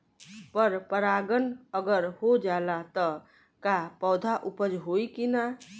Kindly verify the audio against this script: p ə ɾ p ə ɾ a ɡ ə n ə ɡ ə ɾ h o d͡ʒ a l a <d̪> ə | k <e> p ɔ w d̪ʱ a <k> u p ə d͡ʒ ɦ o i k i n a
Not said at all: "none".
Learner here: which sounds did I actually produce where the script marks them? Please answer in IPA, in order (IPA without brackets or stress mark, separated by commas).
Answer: t̪, a, ʔ